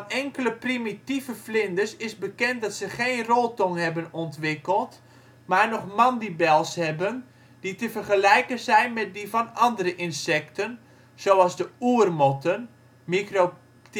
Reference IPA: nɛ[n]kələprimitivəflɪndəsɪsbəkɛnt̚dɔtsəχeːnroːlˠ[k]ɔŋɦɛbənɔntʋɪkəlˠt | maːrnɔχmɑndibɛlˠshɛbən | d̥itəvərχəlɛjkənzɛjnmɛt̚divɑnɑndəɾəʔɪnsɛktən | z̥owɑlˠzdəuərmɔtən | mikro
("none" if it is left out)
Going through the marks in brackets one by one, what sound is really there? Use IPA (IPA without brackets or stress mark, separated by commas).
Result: ŋ, t